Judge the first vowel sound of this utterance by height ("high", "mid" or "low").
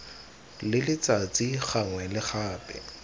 high